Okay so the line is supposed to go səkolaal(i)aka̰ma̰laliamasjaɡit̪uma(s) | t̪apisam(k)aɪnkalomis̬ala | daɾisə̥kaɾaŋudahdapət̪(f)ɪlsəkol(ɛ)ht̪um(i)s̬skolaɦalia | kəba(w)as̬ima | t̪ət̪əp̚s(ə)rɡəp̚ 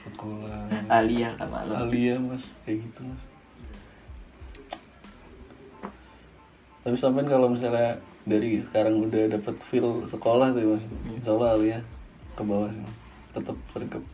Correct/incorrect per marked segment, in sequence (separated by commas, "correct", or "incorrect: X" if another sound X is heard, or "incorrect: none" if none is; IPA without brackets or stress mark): correct, correct, incorrect: p, correct, incorrect: a, incorrect: a, correct, correct